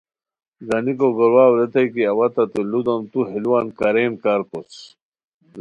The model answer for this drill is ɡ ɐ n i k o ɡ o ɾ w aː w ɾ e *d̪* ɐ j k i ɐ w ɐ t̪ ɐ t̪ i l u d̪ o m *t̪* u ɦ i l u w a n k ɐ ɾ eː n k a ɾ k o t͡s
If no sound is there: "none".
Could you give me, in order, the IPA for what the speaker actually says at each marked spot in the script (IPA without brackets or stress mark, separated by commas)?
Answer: t̪, t̪